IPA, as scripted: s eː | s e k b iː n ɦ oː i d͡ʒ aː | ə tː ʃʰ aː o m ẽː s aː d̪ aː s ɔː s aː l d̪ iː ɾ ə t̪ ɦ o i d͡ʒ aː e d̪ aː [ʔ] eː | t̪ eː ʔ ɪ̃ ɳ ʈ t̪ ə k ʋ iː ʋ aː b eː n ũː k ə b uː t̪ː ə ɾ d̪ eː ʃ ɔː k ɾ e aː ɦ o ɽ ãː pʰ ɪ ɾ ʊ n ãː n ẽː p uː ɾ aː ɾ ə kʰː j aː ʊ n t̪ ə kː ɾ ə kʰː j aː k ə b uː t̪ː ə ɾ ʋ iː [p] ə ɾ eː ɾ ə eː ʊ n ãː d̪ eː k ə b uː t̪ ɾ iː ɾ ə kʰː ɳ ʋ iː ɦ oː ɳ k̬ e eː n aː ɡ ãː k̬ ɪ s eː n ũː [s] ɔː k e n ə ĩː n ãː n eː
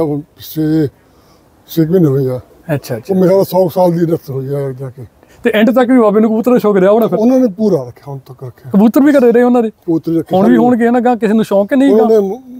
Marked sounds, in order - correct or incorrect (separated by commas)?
incorrect, incorrect, incorrect